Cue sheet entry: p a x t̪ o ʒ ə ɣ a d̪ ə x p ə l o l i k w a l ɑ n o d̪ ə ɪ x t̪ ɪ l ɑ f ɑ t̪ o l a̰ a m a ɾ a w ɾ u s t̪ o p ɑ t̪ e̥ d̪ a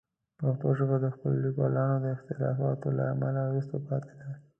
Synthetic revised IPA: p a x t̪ o ʒ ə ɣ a d̪ ə x p ə l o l i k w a l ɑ n o d̪ ə ɪ x t̪ ɪ l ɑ f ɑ t̪ o l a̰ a m a l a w ɾ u s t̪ o p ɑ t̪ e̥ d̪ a